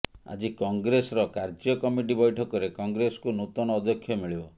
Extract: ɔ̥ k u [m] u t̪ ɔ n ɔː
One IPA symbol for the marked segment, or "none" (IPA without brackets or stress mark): n